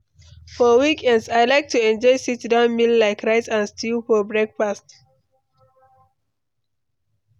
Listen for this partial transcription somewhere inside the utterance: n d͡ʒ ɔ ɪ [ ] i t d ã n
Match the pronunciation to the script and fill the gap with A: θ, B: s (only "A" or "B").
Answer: B